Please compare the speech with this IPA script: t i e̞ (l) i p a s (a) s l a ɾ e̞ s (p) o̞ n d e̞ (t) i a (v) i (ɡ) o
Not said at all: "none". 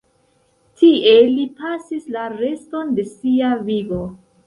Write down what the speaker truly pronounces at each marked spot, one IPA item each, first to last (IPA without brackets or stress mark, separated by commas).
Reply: l, i, t, s, v, ɡ